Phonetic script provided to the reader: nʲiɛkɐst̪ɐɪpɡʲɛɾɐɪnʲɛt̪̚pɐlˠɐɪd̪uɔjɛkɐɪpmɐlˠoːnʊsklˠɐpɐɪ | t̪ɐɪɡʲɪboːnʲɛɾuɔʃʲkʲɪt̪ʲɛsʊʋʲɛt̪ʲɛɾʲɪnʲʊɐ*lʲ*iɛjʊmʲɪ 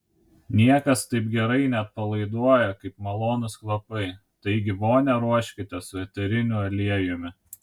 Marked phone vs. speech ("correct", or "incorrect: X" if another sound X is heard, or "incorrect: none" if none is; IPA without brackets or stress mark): correct